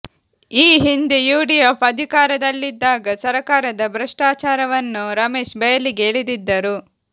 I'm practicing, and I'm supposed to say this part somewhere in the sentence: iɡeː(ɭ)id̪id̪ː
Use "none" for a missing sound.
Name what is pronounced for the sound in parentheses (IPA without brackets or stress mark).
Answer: ɭ